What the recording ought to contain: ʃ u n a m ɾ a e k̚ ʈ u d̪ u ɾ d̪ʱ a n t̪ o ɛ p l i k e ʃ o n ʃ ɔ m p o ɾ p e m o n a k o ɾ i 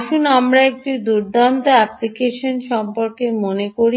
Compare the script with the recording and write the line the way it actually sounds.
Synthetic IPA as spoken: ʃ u n a m ɾ a e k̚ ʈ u d̪ u ɾ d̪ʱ a n t̪ o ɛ p l i k e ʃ o n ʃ ɔ m p o ɾ k e m o n e k o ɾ i